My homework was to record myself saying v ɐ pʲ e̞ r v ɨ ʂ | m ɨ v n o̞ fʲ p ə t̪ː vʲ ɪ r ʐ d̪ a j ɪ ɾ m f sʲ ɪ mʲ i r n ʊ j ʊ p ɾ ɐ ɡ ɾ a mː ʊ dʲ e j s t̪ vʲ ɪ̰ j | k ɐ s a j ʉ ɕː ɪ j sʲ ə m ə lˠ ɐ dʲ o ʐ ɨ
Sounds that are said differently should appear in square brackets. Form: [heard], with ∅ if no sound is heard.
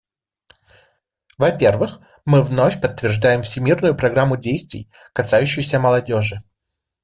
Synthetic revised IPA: v ɐ pʲ e̞ r v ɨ [x] | m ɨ v n o̞ fʲ p ə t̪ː vʲ ɪ r ʐ d̪ a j ɪ [∅] m f sʲ ɪ mʲ i r n ʊ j ʊ p ɾ ɐ ɡ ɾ a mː ʊ dʲ e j s t̪ vʲ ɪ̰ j | k ɐ s a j ʉ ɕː ɪ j sʲ ə m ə lˠ ɐ dʲ o ʐ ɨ

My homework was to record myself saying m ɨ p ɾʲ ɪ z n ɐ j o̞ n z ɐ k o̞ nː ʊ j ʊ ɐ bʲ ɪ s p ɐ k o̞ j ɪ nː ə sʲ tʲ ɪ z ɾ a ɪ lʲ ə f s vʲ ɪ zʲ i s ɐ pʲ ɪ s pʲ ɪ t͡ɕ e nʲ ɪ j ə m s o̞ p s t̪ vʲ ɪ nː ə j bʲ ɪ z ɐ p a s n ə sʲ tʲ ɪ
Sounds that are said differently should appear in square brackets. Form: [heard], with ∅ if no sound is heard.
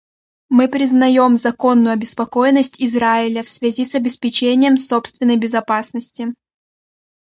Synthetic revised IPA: m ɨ p ɾʲ ɪ z n ɐ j o̞ [m] z ɐ k o̞ nː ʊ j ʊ ɐ bʲ ɪ s p ɐ k o̞ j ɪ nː ə sʲ tʲ ɪ z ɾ a ɪ lʲ ə f s vʲ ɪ zʲ i s ɐ [bʲ] ɪ s pʲ ɪ t͡ɕ e nʲ ɪ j ə m s o̞ p s t̪ vʲ ɪ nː ə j bʲ ɪ z ɐ p a s n ə sʲ tʲ ɪ

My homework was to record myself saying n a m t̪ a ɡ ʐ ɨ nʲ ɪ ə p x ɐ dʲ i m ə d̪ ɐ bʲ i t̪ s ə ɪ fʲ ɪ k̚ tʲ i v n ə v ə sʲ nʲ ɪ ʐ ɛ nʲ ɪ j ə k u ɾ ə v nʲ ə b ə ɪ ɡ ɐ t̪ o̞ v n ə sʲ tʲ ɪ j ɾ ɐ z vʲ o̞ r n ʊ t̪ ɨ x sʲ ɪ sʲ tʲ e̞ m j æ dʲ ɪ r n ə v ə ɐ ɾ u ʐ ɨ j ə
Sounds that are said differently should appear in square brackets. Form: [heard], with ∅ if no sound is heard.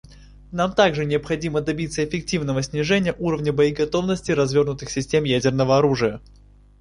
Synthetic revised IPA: n a m t̪ a ɡ ʐ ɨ nʲ ɪ ə p x ɐ dʲ i m ə d̪ ɐ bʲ i t̪ s ə ɪ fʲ ɪ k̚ tʲ i v n ə v ə sʲ nʲ ɪ ʐ ɛ nʲ ɪ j ə [ʔ] u ɾ ə v nʲ ə b ə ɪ ɡ ɐ t̪ o̞ v n ə sʲ tʲ ɪ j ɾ ɐ z vʲ o̞ r n ʊ t̪ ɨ x sʲ ɪ sʲ tʲ e̞ m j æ dʲ ɪ r n ə v ə ɐ ɾ u ʐ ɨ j ə

